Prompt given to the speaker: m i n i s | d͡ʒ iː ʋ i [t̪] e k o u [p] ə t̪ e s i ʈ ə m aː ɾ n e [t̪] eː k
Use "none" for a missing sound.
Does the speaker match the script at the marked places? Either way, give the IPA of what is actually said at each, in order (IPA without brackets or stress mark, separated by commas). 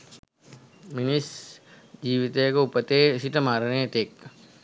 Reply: t̪, p, t̪